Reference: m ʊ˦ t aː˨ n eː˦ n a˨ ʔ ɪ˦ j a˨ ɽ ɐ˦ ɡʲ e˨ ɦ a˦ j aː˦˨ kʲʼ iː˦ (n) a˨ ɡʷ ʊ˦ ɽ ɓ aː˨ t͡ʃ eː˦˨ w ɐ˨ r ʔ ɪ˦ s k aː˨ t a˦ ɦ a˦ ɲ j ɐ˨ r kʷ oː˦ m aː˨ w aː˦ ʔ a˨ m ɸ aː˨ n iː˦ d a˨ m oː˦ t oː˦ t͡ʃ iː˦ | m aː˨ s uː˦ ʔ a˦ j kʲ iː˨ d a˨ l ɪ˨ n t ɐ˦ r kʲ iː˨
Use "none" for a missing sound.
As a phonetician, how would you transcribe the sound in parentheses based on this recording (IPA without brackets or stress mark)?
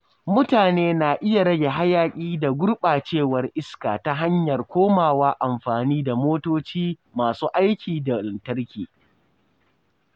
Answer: d